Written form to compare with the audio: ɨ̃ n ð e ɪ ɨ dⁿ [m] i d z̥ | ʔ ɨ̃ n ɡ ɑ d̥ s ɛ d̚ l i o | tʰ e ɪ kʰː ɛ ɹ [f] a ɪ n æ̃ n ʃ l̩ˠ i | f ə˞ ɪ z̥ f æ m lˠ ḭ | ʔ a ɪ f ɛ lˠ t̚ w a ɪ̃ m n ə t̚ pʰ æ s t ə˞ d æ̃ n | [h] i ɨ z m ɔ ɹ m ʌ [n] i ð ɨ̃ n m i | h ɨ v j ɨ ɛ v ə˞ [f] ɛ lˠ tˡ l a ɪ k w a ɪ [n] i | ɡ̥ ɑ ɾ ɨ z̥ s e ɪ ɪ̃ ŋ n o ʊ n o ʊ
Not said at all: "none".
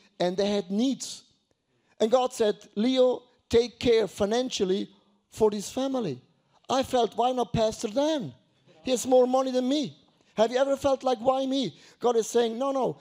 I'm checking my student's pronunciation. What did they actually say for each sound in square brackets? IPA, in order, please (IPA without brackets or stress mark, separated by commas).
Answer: n, f, h, n, f, m